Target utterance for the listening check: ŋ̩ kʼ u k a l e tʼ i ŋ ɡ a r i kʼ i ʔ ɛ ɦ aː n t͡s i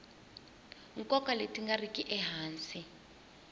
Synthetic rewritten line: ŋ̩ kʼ ɔ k a l e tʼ i ŋ ɡ a r i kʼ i ʔ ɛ ɦ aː n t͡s i